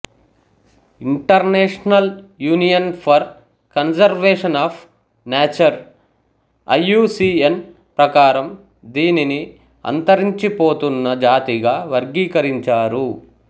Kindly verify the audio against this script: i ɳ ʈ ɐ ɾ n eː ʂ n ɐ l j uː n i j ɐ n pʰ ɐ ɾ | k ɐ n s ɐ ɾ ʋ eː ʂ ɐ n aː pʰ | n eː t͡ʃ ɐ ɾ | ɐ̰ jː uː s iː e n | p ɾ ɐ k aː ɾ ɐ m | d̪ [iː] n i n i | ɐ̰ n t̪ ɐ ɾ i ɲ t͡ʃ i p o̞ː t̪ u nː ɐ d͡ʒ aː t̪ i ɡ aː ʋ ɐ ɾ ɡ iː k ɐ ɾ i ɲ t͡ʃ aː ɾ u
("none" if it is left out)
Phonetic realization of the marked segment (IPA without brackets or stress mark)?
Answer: iː